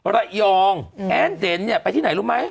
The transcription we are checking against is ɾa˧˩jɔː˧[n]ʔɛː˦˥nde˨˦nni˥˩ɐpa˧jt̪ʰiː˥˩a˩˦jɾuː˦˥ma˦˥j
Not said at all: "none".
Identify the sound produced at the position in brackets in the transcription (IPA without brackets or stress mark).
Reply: ŋ